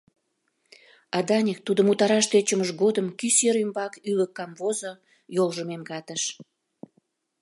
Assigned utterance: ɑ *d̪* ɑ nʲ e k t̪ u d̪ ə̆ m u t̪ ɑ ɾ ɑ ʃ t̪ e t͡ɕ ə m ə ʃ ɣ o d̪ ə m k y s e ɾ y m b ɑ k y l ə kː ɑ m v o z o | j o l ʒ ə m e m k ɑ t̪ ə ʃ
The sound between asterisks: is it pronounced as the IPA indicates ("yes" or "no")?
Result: yes